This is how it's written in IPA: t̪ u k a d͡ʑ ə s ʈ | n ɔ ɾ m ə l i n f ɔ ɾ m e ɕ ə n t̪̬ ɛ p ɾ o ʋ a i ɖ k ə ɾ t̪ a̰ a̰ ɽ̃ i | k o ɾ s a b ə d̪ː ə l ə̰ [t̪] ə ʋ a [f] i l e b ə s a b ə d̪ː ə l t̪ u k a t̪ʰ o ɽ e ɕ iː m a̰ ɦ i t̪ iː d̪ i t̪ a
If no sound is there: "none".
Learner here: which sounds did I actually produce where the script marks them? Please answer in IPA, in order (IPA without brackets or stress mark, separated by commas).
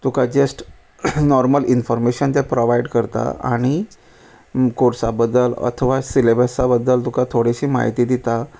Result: t̪ʰ, s